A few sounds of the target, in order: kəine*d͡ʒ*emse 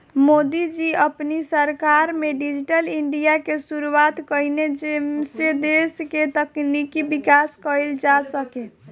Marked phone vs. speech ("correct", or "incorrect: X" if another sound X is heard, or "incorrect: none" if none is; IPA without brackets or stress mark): correct